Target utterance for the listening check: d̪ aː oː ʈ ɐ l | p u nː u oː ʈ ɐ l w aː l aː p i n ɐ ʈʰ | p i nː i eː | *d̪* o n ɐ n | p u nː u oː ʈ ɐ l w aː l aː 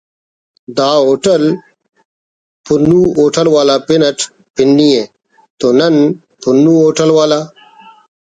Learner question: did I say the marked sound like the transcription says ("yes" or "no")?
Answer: no